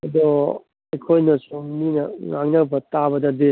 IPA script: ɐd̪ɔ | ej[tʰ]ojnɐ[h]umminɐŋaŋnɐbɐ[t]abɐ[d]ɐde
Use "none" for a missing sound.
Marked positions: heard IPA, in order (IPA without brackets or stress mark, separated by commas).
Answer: kʰ, s, t, d